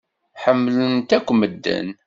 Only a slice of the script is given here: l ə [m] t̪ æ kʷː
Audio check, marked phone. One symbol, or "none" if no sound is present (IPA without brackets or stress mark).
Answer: n